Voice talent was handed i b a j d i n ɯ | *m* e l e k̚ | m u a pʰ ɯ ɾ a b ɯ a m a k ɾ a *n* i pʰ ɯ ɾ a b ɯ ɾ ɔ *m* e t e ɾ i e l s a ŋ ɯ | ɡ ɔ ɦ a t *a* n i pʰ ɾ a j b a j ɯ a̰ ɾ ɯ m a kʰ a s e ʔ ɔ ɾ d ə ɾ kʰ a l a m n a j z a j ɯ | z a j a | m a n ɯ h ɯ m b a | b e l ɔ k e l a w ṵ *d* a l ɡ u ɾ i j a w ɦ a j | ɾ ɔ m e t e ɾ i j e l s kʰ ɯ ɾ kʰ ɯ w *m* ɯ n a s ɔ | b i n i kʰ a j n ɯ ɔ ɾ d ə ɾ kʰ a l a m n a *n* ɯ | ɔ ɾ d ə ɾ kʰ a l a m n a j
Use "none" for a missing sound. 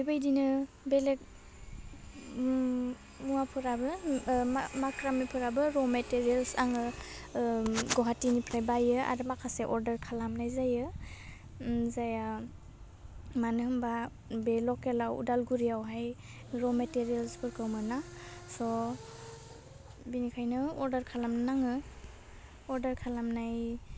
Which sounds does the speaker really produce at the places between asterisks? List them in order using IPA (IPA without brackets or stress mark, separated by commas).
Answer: b, m, m, i, d, m, ŋ